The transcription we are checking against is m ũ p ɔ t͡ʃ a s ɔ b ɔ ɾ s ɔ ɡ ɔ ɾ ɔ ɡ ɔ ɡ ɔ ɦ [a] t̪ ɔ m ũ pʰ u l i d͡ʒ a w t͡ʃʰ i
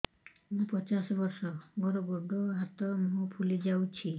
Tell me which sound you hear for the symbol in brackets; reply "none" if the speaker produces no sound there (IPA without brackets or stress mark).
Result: a